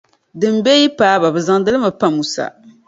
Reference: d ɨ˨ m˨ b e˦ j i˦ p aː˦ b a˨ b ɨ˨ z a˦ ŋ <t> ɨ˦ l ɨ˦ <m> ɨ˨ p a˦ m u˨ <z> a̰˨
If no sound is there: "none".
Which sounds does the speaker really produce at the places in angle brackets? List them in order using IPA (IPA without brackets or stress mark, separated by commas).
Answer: d, m, s